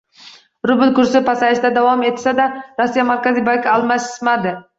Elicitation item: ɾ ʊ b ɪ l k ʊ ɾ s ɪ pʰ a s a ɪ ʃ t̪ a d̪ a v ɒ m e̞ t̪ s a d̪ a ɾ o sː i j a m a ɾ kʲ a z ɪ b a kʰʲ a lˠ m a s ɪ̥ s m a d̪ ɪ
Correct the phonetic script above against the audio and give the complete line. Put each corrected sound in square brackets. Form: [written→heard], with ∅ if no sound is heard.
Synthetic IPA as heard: ɾ ʊ b ɪ l k ʊ ɾ s ɪ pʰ a s a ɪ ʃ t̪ a d̪ a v ɒ m e̞ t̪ s a d̪ a ɾ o sː i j a m a ɾ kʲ a z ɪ b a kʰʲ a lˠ m a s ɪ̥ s m a d̪ ɪ